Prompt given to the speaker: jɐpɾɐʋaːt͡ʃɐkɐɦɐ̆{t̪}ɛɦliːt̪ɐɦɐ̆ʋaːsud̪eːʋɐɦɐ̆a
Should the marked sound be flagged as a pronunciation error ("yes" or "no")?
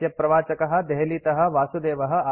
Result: yes